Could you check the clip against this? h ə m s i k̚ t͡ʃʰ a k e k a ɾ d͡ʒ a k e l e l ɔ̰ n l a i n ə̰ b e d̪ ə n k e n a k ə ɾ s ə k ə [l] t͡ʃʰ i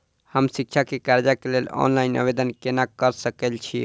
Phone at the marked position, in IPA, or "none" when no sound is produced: l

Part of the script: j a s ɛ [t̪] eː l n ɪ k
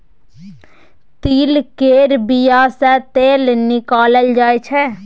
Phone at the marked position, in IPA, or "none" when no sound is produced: t̪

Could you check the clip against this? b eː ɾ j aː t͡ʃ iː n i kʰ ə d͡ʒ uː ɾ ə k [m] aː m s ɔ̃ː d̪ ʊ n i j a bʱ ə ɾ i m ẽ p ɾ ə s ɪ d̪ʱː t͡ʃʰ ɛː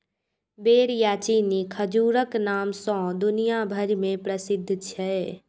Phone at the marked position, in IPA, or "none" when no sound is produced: n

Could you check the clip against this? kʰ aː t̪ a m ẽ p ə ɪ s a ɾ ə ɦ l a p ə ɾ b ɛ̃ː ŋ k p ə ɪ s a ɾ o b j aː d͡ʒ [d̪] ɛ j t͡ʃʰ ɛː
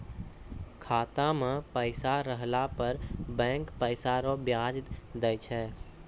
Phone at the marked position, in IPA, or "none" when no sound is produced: d̪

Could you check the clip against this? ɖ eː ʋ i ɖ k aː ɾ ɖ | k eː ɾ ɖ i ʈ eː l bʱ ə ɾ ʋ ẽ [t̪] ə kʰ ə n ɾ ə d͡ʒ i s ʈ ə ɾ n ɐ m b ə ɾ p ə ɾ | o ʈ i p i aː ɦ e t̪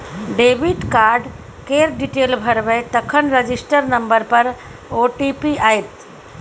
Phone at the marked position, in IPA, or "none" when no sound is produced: t̪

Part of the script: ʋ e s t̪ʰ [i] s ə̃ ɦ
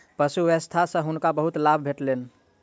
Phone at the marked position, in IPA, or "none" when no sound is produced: a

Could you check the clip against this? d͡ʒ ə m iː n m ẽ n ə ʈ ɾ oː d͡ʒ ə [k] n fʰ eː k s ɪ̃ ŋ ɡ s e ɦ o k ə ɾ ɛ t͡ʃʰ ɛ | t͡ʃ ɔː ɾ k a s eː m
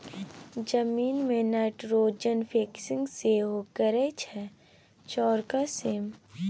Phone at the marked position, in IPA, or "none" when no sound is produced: none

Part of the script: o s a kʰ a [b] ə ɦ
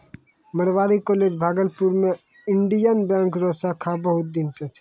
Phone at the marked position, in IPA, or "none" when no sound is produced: b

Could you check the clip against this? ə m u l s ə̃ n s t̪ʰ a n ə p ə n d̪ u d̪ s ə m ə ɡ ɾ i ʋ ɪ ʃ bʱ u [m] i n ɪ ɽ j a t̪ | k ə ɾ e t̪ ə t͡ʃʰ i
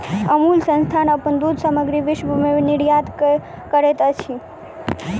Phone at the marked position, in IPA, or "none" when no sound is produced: m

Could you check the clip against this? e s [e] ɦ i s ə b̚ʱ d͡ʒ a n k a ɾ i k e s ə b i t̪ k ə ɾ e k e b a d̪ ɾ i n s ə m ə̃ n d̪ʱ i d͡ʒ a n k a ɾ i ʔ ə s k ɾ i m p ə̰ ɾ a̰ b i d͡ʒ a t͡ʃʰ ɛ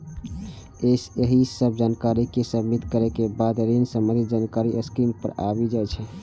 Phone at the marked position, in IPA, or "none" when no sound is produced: e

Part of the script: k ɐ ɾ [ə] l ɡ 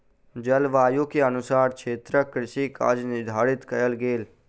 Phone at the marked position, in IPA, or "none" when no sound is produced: ə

